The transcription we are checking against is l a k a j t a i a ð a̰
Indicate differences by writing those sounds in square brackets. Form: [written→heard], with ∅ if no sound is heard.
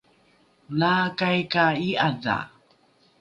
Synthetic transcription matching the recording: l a k a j [t→k] a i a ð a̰